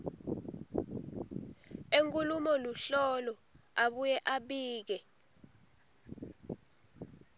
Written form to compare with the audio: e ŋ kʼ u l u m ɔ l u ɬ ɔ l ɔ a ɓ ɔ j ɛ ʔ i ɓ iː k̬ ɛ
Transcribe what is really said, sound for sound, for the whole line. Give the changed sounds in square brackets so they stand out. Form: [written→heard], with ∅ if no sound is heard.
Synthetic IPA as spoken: e ŋ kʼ u l u m ɔ l u ɬ ɔ l ɔ a ɓ [ɔ→u] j ɛ ʔ [i→a] ɓ iː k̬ ɛ